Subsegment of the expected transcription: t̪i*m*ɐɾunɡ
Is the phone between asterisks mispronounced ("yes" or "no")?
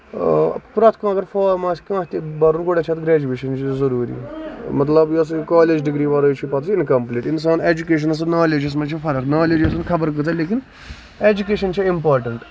yes